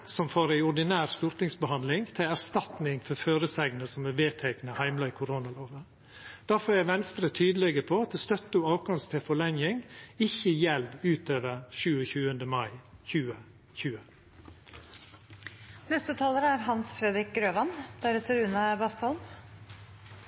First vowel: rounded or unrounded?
rounded